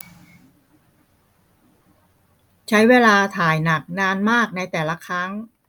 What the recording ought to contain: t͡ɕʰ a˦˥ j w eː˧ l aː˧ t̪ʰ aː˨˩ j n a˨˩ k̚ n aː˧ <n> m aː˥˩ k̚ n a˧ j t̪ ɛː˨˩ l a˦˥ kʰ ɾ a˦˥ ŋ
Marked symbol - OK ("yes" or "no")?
yes